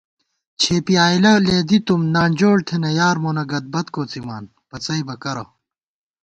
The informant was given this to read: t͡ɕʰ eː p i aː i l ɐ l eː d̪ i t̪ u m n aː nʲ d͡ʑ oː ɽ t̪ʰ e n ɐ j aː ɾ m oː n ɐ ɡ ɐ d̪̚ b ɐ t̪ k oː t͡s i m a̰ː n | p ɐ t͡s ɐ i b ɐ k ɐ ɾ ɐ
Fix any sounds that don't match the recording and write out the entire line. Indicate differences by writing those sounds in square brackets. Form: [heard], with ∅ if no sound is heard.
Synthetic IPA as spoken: t͡ɕʰ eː p i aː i l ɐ l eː d̪ i t̪ u m n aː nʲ d͡ʑ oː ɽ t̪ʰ e n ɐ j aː ɾ m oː n ɐ ɡ ɐ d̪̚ b ɐ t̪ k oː t͡s i m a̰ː n | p ɐ t͡s ɐ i b ɐ k ɐ ɾ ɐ